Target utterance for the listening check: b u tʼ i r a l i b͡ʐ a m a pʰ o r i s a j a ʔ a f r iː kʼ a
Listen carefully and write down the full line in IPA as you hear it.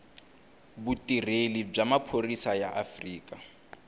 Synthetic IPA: b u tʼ i r e l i b͡ʐ a m a pʰ o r i s a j a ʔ a f r iː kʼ a